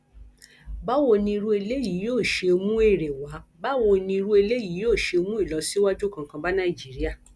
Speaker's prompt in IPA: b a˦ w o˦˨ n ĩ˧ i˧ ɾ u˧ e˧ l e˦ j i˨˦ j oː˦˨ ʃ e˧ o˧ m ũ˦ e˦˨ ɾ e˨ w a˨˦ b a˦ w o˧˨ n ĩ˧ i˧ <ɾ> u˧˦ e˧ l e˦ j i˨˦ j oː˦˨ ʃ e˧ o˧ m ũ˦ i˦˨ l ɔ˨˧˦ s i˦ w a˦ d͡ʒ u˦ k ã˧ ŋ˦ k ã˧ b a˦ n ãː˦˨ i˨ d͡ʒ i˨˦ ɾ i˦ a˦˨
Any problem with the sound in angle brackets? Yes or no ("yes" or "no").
no